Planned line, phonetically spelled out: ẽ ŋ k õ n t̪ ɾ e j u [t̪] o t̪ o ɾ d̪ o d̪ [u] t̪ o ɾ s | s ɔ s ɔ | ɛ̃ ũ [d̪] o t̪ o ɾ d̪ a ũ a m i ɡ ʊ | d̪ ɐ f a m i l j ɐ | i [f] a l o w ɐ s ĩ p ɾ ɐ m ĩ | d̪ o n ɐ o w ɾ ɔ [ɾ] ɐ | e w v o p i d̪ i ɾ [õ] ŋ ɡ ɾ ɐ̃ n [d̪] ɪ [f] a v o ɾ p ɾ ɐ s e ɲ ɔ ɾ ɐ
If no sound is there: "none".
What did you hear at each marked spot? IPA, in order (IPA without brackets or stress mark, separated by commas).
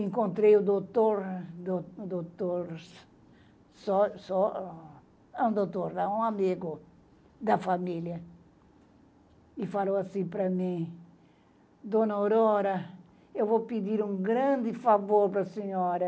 d̪, o, d̪, f, ɾ, ũ, d̪, f